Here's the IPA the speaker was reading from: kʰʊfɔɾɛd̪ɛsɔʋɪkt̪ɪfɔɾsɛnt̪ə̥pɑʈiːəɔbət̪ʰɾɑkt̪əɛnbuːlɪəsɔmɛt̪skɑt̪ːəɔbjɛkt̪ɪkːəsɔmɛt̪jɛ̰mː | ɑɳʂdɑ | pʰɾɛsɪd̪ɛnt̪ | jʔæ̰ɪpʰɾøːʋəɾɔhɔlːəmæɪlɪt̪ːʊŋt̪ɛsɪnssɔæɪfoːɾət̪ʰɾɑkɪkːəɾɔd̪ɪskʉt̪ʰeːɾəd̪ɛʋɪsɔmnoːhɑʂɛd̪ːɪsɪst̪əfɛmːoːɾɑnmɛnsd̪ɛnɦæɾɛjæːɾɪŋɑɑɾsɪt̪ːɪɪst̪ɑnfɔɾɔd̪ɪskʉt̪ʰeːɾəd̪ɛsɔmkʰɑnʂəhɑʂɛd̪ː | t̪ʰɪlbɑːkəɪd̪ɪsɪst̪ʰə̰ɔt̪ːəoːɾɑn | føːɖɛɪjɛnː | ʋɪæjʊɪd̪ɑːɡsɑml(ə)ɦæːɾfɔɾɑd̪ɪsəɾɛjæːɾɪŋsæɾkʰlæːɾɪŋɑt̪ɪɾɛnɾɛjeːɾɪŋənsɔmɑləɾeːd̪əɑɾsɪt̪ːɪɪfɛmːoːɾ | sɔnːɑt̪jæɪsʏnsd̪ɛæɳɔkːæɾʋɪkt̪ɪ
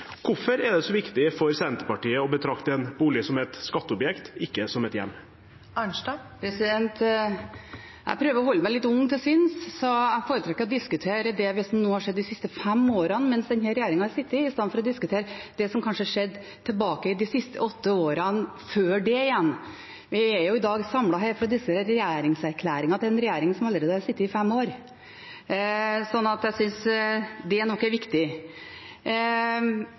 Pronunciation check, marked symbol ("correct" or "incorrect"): incorrect